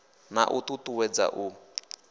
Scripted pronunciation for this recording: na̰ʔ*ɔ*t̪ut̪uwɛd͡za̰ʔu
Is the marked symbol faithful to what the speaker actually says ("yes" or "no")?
no